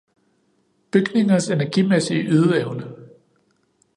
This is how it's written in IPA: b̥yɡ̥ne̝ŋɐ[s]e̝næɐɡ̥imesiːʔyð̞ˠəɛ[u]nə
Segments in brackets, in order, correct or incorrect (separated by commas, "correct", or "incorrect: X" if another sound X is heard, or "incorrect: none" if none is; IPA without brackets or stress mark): correct, incorrect: ʊ